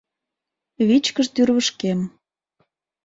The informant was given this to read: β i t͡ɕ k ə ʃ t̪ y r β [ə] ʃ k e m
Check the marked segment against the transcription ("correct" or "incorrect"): correct